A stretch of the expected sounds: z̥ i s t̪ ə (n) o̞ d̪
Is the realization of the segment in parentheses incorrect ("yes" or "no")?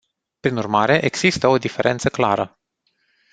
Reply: yes